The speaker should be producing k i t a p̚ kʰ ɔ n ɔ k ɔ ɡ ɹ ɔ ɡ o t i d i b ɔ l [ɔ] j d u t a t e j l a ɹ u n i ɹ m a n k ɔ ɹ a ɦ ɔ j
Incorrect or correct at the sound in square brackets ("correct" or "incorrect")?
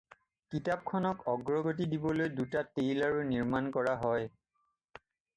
incorrect